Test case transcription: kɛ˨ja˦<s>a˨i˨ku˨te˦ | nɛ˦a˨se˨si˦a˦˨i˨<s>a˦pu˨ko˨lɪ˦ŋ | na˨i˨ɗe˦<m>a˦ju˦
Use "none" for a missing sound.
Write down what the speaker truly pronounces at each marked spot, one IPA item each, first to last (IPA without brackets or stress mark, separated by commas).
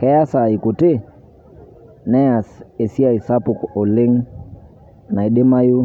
s, s, m